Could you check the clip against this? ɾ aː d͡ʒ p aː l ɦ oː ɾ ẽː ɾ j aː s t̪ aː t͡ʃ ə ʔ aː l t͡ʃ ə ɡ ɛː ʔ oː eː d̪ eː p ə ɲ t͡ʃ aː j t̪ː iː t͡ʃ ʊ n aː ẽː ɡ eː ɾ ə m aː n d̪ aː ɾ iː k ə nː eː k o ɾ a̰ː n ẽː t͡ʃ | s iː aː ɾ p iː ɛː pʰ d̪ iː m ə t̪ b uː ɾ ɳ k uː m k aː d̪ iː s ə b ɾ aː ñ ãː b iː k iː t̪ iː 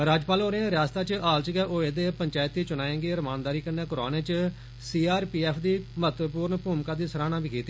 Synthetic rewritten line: ɾ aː d͡ʒ p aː l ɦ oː ɾ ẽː ɾ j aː s t̪ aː t͡ʃ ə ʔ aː l t͡ʃ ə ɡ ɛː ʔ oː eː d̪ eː p ə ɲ t͡ʃ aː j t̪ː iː t͡ʃ ʊ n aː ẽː ɡ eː ɾ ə m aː n d̪ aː ɾ iː k ə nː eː k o ɾ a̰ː n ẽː t͡ʃ | s iː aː ɾ p iː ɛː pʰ d̪ iː m ə t̪ p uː ɾ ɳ p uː m k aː d̪ iː s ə ɾ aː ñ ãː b iː k iː t̪ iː

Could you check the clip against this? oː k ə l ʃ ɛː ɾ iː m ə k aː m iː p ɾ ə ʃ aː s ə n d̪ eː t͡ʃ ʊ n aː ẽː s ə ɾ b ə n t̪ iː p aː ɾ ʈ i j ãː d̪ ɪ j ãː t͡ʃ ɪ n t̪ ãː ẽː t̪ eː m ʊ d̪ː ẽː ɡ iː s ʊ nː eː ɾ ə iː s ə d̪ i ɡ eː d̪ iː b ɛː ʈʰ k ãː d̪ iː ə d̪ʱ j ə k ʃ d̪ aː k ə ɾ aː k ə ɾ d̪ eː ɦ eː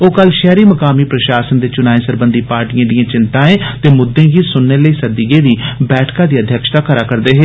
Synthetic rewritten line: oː k ə l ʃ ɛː ɾ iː m ə k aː m iː p ɾ ə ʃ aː s ə n d̪ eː t͡ʃ ʊ n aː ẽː s ə ɾ b ə n d̪ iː p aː ɾ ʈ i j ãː d̪ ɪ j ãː t͡ʃ ɪ n t̪ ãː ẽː t̪ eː m ʊ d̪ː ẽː ɡ iː s ʊ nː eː l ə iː s ə d̪ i ɡ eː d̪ iː b ɛː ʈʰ k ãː d̪ iː ə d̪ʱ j ə k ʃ t̪ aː k ə ɾ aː k ə ɾ d̪ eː ɦ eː

